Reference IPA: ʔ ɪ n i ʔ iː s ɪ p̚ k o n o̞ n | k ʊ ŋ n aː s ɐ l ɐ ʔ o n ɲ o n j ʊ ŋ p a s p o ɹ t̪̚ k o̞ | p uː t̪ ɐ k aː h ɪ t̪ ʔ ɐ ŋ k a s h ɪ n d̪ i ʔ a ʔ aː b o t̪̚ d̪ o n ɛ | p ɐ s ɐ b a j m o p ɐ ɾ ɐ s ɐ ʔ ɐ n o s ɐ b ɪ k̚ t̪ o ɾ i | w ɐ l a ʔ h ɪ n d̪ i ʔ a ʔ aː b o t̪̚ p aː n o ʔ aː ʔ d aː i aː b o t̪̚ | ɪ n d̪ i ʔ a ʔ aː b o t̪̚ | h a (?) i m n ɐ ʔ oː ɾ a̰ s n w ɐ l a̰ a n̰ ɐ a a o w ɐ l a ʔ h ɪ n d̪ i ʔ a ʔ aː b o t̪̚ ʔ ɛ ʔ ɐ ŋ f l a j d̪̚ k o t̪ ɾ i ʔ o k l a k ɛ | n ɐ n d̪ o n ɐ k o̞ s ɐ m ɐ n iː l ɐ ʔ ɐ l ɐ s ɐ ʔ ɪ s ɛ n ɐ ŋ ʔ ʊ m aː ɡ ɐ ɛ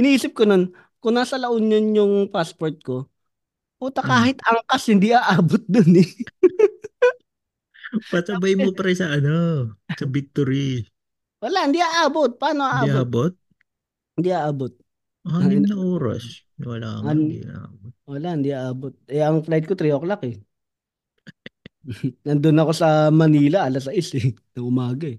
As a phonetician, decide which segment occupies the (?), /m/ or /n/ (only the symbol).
n